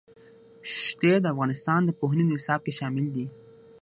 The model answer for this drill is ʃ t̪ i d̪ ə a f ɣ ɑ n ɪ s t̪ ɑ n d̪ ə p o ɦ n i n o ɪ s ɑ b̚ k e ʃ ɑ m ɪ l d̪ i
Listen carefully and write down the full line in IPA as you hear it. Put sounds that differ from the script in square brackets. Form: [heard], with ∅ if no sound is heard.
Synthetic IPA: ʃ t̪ [e] d̪ ə a f ɣ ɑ n ɪ s t̪ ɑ n d̪ ə p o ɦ n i n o ɪ s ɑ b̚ k e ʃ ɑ m ɪ l d̪ i